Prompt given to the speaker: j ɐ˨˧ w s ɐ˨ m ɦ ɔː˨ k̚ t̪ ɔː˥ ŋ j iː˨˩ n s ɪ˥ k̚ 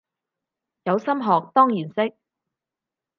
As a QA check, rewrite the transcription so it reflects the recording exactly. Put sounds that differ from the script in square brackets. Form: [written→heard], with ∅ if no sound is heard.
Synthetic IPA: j ɐ˨˧ w s [ɐ˨→ɐ˥] m ɦ ɔː˨ k̚ t̪ ɔː˥ ŋ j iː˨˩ n s ɪ˥ k̚